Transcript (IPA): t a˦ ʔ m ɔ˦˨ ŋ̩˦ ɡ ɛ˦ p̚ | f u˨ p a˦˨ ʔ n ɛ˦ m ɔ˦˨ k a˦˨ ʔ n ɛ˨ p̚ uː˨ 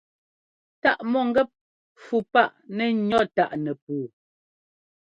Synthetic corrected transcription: t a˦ ʔ m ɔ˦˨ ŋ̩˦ ɡ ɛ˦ p̚ | f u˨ p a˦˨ ʔ n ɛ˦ ɲ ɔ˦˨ t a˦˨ ʔ n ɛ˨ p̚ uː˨